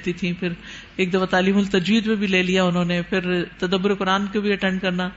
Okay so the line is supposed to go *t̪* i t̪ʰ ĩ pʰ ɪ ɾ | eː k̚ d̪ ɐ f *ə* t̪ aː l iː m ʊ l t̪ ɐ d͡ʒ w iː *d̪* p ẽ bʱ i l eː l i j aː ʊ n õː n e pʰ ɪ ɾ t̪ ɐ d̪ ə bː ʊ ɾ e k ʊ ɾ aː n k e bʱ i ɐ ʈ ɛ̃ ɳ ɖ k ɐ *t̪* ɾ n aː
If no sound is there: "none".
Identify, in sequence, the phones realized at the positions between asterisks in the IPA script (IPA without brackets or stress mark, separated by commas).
t̪, a, d̪, none